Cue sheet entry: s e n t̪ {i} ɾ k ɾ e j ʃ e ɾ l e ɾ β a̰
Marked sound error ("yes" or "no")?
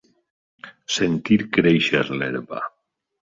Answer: no